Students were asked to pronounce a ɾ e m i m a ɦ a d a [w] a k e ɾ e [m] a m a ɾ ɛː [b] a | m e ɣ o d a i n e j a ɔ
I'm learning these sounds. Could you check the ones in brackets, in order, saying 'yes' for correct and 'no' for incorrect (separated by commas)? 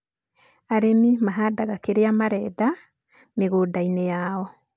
no, no, no